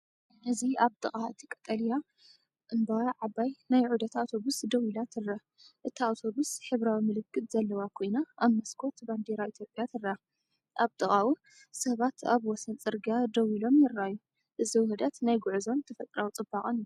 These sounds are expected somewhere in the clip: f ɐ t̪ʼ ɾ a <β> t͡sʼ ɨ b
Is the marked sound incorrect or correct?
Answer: incorrect: w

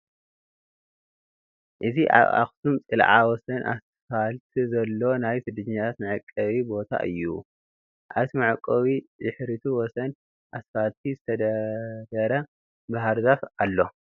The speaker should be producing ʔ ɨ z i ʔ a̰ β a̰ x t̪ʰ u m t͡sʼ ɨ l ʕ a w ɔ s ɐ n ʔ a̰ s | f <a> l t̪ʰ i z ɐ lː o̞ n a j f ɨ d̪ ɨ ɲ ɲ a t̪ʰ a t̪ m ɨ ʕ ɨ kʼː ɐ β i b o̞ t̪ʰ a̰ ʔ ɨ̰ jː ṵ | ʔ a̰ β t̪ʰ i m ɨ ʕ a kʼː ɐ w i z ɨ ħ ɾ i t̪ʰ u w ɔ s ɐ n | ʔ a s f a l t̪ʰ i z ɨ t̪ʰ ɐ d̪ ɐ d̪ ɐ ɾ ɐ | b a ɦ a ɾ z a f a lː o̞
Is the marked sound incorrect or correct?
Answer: correct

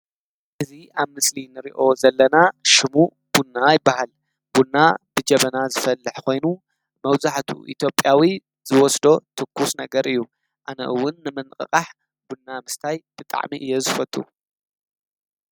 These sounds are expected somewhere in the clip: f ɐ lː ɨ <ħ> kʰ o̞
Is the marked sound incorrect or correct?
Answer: correct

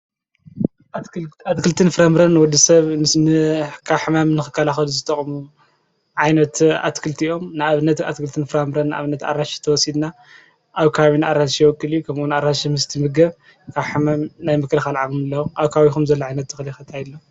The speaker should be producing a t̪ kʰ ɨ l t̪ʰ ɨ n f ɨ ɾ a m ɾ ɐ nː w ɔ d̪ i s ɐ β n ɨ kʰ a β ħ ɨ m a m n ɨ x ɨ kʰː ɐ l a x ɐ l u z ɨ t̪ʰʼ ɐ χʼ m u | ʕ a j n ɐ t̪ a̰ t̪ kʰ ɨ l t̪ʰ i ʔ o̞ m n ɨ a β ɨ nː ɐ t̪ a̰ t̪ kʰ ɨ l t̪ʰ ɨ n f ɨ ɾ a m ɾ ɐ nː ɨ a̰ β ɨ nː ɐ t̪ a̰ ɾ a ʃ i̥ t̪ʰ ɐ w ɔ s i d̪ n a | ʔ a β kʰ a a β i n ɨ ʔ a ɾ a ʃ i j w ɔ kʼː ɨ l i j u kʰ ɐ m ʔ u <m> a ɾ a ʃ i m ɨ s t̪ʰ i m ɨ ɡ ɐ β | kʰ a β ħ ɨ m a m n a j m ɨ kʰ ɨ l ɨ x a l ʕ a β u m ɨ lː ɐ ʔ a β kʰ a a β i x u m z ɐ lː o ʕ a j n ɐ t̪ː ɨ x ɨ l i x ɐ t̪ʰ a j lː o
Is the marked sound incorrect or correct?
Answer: incorrect: n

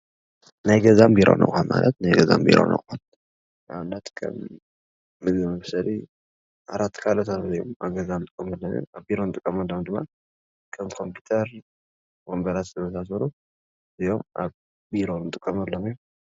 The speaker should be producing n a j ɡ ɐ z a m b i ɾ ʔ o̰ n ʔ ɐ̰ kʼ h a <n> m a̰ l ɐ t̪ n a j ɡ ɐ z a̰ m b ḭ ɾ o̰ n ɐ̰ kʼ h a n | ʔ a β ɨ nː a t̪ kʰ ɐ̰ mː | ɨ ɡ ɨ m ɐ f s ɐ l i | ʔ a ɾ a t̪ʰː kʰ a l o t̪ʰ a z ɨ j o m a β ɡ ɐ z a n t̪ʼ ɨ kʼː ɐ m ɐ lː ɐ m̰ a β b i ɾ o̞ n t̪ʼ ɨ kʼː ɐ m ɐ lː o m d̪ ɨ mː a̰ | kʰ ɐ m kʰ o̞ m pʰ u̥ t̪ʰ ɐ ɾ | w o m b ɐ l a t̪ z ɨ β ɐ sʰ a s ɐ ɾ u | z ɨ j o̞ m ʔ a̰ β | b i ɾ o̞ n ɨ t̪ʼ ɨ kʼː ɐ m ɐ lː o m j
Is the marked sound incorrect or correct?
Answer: correct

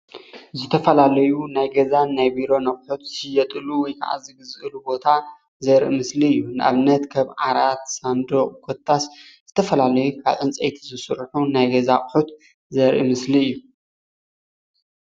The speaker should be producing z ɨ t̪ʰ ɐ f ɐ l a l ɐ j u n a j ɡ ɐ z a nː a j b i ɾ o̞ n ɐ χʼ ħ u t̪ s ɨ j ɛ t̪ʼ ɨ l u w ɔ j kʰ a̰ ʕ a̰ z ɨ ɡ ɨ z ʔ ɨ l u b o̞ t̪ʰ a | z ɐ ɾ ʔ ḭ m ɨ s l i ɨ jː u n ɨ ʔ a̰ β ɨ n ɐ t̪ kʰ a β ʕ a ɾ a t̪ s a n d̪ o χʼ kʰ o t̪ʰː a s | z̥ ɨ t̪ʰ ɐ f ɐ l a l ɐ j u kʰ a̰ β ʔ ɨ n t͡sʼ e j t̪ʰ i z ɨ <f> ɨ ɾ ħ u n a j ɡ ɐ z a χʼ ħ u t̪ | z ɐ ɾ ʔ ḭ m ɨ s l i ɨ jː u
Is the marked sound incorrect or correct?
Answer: incorrect: s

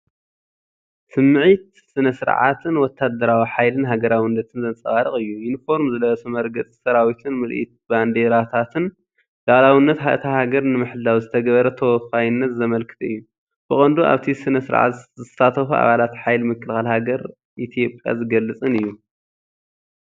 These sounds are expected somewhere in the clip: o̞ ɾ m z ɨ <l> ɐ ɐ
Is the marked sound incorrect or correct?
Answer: correct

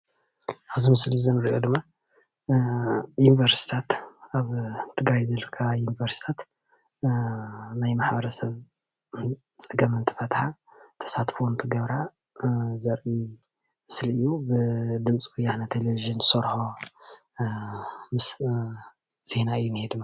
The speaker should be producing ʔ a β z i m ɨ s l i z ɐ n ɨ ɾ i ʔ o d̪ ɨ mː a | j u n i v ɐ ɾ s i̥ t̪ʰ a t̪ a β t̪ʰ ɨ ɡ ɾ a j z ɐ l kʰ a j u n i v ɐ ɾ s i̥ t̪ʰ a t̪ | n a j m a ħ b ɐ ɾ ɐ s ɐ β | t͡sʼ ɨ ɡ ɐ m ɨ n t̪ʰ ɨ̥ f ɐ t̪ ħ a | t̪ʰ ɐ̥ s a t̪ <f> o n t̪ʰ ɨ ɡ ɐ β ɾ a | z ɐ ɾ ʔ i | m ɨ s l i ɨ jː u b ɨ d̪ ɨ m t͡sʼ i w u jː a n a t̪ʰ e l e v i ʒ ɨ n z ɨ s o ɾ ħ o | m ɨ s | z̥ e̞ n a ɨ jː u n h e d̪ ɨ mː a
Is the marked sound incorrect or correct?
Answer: correct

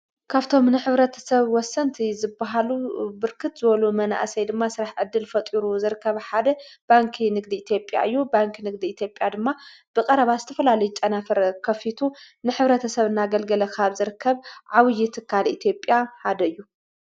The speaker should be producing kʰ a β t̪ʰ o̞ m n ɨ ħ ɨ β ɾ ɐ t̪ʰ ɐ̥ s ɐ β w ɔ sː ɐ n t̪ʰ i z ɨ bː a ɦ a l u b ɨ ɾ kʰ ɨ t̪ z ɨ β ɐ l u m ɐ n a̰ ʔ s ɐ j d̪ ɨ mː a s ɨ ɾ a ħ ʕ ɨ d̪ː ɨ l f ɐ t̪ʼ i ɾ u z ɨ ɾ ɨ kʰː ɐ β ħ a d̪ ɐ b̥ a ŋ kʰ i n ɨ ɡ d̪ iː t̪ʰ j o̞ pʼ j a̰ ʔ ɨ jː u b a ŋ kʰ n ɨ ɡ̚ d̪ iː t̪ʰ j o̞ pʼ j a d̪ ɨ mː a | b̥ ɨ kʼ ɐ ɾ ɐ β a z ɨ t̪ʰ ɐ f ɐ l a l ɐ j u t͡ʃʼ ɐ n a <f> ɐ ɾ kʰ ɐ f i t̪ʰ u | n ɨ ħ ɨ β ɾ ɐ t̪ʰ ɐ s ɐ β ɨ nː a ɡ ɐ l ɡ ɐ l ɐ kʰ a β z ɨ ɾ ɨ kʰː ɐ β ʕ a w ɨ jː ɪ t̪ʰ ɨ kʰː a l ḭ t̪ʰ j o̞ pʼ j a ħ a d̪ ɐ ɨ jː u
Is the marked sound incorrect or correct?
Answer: correct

